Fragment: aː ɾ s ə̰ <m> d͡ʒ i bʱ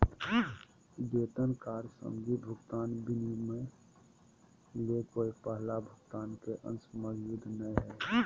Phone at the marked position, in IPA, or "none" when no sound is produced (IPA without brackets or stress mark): m